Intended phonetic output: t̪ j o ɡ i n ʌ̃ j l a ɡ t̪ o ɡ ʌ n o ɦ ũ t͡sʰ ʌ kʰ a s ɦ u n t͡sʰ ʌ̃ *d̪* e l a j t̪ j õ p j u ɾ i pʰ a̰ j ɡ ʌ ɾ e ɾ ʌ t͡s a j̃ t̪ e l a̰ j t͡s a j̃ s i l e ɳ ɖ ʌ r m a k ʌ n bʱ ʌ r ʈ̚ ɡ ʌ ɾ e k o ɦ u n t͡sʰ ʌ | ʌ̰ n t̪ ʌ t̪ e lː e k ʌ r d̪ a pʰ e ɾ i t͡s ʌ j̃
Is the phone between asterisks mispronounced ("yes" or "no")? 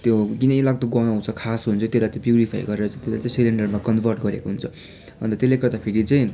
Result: yes